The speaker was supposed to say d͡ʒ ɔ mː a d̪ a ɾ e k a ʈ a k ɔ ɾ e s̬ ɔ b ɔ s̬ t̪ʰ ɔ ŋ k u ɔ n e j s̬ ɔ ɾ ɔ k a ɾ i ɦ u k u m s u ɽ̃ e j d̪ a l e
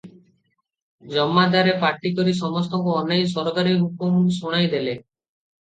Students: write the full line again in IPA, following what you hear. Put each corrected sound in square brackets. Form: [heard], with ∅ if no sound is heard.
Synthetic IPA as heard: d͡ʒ ɔ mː a d̪ a ɾ e [p] a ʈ [i] k ɔ ɾ [i] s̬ ɔ [m] ɔ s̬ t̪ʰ ɔ ŋ k u ɔ n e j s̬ ɔ ɾ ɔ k a ɾ i ɦ u k u m s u ɽ̃ [a] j d̪ [e] l e

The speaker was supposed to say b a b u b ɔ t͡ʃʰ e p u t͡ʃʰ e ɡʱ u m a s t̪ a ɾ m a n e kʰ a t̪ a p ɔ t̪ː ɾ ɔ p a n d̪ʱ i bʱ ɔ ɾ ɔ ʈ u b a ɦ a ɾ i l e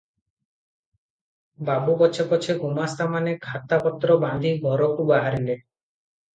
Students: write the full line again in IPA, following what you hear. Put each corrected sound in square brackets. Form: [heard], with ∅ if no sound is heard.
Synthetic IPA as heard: b a b u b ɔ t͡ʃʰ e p [ɔ] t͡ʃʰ e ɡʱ u m a s t̪ a [∅] m a n e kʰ a t̪ a p ɔ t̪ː ɾ ɔ [b] a n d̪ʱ i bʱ ɔ ɾ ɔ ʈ u b a ɦ a ɾ i l e

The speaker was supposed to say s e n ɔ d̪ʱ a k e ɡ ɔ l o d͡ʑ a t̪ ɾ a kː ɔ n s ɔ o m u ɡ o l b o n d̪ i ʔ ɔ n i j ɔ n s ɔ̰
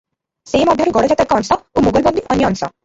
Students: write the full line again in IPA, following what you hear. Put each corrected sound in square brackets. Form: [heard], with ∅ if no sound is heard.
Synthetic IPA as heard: s e [m] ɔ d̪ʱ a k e ɡ ɔ [ɽ] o d͡ʑ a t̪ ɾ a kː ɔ n s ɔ o m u ɡ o l b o n d̪ i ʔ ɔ n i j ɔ n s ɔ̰

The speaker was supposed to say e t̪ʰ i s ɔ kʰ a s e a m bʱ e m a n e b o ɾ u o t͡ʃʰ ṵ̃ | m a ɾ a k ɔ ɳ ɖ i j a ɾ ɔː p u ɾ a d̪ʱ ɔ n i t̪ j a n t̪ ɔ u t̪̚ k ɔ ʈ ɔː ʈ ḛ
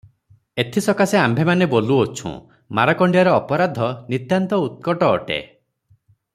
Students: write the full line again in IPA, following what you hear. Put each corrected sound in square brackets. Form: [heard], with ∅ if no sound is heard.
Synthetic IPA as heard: e t̪ʰ i s ɔ [k] a s e a m bʱ e m a n e b o [l] u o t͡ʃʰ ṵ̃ | m a ɾ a k ɔ ɳ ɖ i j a ɾ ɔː p [ɔ] ɾ a d̪ʱ ɔ n i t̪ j a n t̪ ɔ u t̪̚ k ɔ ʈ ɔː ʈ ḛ

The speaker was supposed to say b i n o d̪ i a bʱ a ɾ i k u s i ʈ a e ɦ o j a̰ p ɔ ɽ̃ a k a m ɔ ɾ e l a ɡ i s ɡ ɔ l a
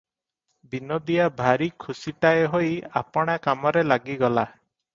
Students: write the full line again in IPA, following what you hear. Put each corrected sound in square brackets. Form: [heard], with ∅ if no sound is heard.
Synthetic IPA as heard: b i n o d̪ i a bʱ a ɾ i [kʰ] u s i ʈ a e ɦ o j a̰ p ɔ ɽ̃ a k a m ɔ ɾ e l a ɡ i [∅] ɡ ɔ l a

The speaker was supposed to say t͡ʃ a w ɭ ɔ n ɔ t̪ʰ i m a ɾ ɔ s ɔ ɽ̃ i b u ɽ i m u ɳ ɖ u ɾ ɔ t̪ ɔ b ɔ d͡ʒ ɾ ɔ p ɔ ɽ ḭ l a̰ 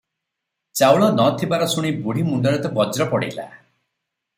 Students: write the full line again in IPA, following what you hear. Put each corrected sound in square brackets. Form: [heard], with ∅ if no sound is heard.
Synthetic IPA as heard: t͡ʃ a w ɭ ɔ n ɔ t̪ʰ i [b] a ɾ ɔ s [u] ɽ̃ i b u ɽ i m u ɳ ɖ [ɔ] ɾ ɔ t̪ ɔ b ɔ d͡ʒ ɾ ɔ p ɔ ɽ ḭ l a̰

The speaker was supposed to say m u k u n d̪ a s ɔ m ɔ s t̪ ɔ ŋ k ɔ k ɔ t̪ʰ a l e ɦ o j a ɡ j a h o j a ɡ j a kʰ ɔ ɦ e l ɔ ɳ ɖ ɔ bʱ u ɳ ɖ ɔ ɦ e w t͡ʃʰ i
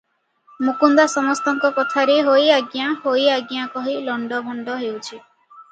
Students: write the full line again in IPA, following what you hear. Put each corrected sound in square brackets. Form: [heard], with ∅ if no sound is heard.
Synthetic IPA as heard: m u k u n d̪ a s ɔ m ɔ s t̪ ɔ ŋ k ɔ k ɔ t̪ʰ a [ɾ] e ɦ o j a ɡ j a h o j a ɡ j a [k] ɔ ɦ [i] l ɔ ɳ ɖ ɔ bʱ [ɔ] ɳ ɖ ɔ ɦ e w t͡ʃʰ i

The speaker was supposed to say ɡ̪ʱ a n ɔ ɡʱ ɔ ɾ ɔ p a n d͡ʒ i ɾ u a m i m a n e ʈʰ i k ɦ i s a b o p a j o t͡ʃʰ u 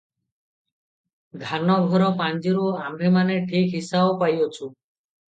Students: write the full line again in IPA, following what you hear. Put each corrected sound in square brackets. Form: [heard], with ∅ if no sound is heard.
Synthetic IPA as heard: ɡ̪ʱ a n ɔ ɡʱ ɔ ɾ ɔ p a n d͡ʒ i ɾ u a m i m a n e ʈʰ i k ɦ i s a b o p a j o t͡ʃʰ u

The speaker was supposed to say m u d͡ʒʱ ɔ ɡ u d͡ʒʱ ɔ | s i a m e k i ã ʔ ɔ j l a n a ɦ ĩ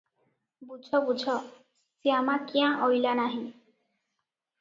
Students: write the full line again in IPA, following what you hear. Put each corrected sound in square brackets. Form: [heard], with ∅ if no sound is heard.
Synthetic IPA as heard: [b] u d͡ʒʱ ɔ [b] u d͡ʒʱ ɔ | s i a m [a] k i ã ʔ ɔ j l a n a ɦ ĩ

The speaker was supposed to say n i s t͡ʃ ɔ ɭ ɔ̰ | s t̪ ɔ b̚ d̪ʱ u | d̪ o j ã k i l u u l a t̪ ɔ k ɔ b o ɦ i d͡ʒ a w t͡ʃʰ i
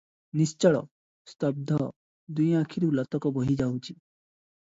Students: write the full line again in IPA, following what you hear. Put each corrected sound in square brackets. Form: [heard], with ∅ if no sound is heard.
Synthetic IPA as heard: n i s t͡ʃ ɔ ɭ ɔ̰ | s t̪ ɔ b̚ d̪ʱ [ɔ] | d̪ [u] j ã [kʰ] i [ɾ] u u l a t̪ ɔ k ɔ b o ɦ i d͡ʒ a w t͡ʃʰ i

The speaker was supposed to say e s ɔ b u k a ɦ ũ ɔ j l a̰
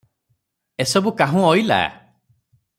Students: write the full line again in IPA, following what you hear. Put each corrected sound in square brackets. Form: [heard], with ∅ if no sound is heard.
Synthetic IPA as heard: e s ɔ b u k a ɦ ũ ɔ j l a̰

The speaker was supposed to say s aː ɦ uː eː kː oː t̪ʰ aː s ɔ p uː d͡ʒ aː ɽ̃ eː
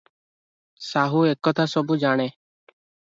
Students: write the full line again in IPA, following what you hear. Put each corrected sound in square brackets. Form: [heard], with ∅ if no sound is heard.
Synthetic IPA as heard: s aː ɦ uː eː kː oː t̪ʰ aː s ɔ [b] uː d͡ʒ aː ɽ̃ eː

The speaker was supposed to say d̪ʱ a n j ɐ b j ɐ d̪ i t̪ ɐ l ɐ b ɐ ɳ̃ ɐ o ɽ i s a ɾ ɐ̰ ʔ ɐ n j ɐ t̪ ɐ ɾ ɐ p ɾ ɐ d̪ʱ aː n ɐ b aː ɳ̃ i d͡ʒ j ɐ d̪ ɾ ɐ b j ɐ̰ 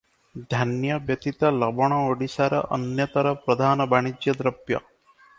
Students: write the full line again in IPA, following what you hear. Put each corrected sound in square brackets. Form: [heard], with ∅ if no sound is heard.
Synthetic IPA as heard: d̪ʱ a n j ɐ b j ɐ [t̪] i t̪ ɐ l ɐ b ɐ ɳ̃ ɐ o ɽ i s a ɾ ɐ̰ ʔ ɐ n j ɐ t̪ ɐ ɾ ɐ p ɾ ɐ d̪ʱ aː n ɐ b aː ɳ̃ i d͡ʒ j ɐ d̪ ɾ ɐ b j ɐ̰

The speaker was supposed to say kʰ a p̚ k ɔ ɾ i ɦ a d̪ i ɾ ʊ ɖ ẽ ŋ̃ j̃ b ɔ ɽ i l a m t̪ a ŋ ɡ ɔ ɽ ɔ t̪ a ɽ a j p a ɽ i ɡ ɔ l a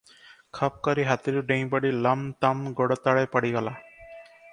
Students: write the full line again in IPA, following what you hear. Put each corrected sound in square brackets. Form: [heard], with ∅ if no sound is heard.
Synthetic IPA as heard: kʰ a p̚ k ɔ ɾ i ɦ a [t̪] i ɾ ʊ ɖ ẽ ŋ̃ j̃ b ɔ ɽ i l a m t̪ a [m] ɡ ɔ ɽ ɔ t̪ a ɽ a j p a ɽ i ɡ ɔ l a

